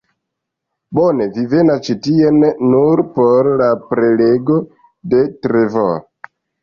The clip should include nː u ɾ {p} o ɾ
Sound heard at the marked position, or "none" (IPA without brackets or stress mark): p